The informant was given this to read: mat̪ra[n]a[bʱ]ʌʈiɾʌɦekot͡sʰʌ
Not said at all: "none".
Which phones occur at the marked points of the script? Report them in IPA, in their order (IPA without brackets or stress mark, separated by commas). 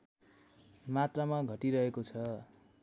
m, ɡʱ